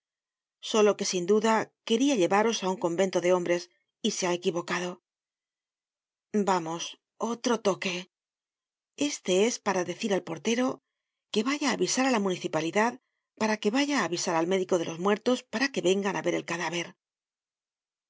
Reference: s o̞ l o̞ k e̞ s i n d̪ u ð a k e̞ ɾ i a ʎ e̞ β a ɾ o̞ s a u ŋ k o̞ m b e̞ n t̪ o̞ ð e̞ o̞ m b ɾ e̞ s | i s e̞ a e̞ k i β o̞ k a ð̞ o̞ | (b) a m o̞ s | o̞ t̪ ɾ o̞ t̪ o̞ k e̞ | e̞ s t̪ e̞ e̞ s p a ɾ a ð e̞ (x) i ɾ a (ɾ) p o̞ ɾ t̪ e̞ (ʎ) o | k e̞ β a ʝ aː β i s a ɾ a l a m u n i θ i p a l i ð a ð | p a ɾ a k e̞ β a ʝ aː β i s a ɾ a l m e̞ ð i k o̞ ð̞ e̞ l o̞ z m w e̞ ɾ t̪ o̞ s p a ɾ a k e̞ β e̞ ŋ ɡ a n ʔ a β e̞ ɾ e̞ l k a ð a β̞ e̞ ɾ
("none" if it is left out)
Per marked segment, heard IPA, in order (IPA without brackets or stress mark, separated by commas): b, θ, l, ɾ